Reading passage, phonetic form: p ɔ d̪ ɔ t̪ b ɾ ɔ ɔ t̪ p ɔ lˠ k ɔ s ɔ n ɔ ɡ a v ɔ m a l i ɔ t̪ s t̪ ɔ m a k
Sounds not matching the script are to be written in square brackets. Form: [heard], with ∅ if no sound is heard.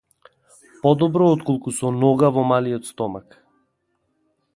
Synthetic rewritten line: p ɔ d̪ ɔ [∅] b ɾ ɔ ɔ t̪ [k] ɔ lˠ k [u] s ɔ n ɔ ɡ a v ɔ m a l i ɔ t̪ s t̪ ɔ m a k